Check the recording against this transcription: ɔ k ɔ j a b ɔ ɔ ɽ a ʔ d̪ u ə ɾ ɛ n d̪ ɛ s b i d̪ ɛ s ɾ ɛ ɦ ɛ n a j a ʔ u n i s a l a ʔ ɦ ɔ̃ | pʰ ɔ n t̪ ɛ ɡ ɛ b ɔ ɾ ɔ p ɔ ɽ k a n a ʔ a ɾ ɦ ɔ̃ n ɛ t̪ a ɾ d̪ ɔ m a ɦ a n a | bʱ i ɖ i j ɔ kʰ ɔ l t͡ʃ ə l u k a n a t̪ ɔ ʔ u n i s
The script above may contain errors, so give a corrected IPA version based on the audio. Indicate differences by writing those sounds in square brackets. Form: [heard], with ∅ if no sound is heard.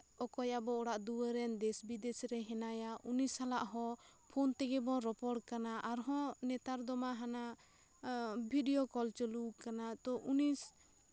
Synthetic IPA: ɔ k ɔ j a b ɔ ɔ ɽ a ʔ d̪ u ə ɾ ɛ n d̪ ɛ s b i d̪ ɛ s ɾ ɛ ɦ ɛ n a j a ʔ u n i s a l a ʔ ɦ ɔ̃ | pʰ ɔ n t̪ ɛ ɡ ɛ b ɔ ɾ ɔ p ɔ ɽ k a n a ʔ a ɾ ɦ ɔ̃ n ɛ t̪ a ɾ d̪ ɔ m a ɦ a n a | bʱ i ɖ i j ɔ [k] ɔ l t͡ʃ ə l u k a n a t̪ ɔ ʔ u n i s